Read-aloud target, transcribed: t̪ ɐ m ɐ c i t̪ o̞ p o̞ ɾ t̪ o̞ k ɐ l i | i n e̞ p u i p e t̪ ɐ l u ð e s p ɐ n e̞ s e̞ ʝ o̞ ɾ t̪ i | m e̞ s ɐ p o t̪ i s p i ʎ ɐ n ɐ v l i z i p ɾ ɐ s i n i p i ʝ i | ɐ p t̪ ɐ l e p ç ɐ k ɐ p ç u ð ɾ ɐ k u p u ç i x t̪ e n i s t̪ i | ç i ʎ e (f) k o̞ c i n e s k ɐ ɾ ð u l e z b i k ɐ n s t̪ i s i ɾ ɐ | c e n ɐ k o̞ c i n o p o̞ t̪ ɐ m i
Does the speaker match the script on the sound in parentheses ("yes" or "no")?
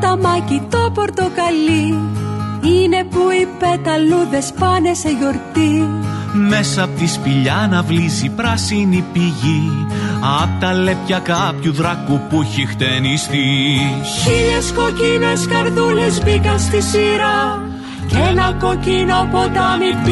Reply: no